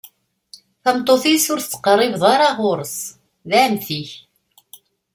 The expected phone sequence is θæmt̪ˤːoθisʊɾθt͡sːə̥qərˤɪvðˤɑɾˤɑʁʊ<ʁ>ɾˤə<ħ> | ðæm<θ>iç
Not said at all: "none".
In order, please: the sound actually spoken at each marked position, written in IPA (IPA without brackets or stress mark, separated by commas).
none, s, θ